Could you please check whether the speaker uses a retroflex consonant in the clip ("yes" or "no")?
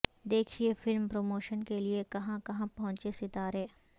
no